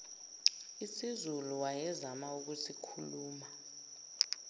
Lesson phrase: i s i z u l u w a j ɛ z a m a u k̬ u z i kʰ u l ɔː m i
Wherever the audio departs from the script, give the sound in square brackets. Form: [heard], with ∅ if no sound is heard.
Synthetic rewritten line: i s i z u l u w a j ɛ z a m a u k̬ u [s] i kʰ u l [uː] m [a]